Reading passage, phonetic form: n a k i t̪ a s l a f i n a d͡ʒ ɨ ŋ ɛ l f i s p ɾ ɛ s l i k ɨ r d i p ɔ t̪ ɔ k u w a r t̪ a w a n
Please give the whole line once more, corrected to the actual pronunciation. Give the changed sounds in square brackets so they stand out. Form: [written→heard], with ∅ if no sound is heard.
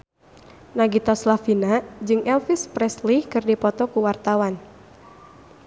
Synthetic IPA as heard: n a [k→ɡ] i t̪ a s l a f i n a d͡ʒ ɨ ŋ ɛ l f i s p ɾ ɛ s l i k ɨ r d i p ɔ t̪ ɔ k u w a r t̪ a w a n